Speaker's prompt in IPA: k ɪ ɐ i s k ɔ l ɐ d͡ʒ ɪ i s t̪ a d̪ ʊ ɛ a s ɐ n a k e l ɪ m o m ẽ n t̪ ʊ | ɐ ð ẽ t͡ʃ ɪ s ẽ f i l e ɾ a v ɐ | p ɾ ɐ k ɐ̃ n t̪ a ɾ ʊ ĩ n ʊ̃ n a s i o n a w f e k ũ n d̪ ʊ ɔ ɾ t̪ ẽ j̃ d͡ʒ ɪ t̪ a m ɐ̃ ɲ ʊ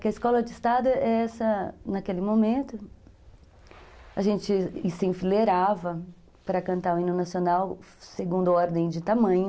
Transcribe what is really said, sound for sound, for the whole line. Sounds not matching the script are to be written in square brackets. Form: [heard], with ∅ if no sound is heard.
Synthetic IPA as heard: k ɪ ɐ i s k ɔ l ɐ d͡ʒ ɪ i s t̪ a d̪ ʊ ɛ [ɛ] s ɐ n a k e l ɪ m o m ẽ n t̪ ʊ | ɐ [ʒ] ẽ t͡ʃ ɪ s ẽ f i l e ɾ a v ɐ | p ɾ ɐ k ɐ̃ n t̪ a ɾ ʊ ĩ n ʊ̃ n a s i o n a w [s] e [ɡ] ũ n d̪ ʊ ɔ ɾ [d̪] ẽ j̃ d͡ʒ ɪ t̪ a m ɐ̃ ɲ ʊ